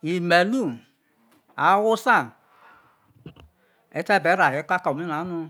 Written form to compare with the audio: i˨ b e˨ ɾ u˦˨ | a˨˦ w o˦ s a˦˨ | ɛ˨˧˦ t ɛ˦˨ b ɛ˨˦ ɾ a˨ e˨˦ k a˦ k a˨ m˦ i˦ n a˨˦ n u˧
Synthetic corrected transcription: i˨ m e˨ l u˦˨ | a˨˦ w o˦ s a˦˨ | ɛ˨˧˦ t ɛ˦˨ b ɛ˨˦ ɾ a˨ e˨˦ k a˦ k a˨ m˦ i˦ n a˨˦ n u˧